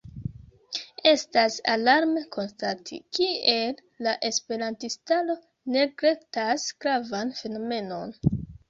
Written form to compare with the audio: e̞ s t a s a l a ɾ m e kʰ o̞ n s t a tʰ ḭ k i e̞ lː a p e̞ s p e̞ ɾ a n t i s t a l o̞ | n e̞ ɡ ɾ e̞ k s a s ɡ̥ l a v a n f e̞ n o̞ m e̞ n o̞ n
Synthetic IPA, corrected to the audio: e̞ s t a s a l a ɾ m e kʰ o̞ n s t a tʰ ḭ k i e̞ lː a ʔ e̞ s p e̞ ɾ a n t i s t a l o̞ | n e̞ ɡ ɾ e̞ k t a s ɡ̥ ɾ a v a n f e̞ n o̞ m e̞ n o̞ n